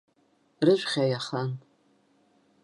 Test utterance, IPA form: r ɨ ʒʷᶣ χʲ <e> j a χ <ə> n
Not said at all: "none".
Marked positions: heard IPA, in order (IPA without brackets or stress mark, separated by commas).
a, a